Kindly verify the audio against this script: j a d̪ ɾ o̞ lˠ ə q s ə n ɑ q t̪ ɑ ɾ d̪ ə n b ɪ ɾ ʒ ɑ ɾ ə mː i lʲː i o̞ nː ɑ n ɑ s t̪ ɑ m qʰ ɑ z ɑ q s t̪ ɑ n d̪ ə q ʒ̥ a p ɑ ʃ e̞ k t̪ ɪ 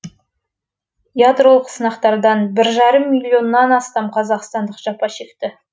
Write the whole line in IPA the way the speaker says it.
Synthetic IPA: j a d̪ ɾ o̞ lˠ ə q s ə n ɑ q t̪ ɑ ɾ d̪ ɑ n b ɪ ɾ ʒ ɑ ɾ ə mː i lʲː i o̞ nː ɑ n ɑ s t̪ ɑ m qʰ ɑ z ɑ q s t̪ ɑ n d̪ ə q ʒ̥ ɑ p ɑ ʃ e̞ k t̪ ɪ